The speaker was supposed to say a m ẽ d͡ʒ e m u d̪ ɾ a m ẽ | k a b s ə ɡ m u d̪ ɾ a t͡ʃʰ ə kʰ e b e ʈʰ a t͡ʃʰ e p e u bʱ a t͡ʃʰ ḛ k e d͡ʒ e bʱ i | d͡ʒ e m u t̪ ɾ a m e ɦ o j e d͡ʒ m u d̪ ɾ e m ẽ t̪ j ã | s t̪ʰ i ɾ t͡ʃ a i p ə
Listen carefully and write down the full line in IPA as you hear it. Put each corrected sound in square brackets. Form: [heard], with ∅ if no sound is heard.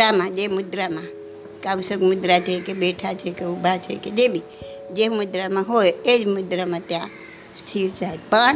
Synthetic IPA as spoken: a m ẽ d͡ʒ e m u d̪ ɾ a m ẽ | k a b s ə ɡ m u d̪ ɾ a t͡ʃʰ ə [k] e b e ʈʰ a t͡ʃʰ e [k] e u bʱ a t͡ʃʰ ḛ k e d͡ʒ e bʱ i | d͡ʒ e m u [d̪] ɾ a m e ɦ o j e d͡ʒ m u d̪ ɾ [a] m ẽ t̪ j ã | s t̪ʰ i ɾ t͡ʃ a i p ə